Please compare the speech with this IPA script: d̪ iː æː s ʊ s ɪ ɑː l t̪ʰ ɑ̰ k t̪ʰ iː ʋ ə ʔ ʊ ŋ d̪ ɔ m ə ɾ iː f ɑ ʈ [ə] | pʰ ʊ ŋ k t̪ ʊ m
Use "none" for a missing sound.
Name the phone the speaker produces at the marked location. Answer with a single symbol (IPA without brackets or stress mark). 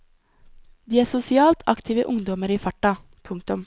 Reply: ɑ